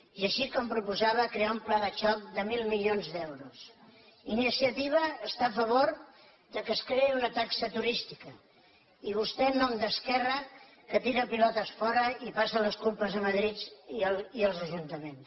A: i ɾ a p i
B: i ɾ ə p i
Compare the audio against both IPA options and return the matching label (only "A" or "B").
B